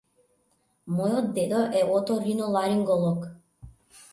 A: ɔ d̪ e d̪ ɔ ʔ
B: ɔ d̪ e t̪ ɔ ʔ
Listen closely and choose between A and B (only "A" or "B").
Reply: A